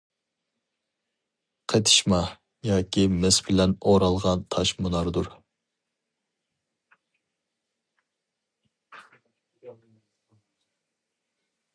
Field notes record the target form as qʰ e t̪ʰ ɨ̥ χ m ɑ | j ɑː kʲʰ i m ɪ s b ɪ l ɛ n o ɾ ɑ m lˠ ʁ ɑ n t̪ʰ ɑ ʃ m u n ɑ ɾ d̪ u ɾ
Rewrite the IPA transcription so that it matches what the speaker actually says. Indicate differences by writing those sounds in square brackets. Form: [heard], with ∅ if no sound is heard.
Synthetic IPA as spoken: qʰ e t̪ʰ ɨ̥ [ʃ] m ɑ | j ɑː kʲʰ i m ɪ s b ɪ l ɛ n o ɾ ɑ [∅] lˠ ʁ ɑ n t̪ʰ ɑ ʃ m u n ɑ ɾ d̪ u ɾ